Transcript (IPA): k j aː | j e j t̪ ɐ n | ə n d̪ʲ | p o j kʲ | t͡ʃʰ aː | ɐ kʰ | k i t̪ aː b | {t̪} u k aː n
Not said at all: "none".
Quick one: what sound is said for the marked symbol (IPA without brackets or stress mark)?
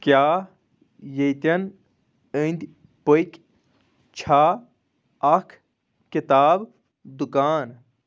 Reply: d̪